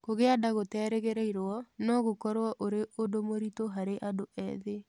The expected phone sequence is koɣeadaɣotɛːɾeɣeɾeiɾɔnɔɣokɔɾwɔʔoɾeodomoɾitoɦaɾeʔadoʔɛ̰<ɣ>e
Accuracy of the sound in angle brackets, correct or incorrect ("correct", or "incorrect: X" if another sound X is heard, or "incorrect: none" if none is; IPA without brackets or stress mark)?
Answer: incorrect: ð